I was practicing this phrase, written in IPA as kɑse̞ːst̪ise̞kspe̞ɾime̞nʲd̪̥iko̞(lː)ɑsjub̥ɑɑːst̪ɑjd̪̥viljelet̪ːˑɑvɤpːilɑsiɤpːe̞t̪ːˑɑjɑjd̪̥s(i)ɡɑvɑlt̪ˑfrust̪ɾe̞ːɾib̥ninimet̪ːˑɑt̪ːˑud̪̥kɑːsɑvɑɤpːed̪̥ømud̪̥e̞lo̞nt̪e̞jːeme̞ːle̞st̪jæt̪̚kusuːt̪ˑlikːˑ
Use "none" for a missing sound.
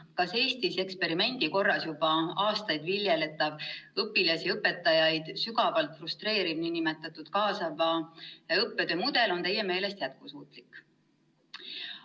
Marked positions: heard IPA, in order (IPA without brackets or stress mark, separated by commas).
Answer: rː, y